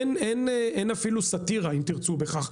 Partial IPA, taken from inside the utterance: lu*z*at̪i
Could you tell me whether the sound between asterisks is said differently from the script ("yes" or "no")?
yes